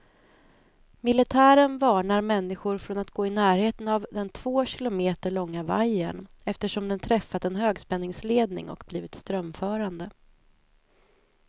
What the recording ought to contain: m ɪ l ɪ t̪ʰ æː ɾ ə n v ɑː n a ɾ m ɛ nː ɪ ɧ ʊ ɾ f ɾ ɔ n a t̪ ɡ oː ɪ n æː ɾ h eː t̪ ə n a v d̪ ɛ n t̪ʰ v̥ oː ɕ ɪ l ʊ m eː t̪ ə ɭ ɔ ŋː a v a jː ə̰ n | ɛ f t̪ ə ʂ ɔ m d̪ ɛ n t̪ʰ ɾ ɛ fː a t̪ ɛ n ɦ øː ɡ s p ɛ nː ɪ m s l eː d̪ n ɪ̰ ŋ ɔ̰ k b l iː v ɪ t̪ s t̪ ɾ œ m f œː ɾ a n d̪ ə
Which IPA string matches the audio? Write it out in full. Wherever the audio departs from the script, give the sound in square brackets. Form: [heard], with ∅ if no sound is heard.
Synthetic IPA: m ɪ l ɪ t̪ʰ æː ɾ ə n v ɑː [ɳ] a ɾ m ɛ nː ɪ ɧ ʊ ɾ f ɾ ɔ n a t̪ ɡ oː ɪ n æː ɾ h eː t̪ ə n a v d̪ ɛ n t̪ʰ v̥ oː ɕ ɪ l ʊ m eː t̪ ə ɭ ɔ ŋː a v a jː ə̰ n | ɛ f t̪ ə ʂ ɔ m d̪ ɛ n t̪ʰ ɾ ɛ fː a t̪ ɛ n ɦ øː ɡ s p ɛ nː ɪ [ŋ] s l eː d̪ n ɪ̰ ŋ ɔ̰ k b l iː v ɪ t̪ s t̪ ɾ œ m f œː ɾ a n d̪ ə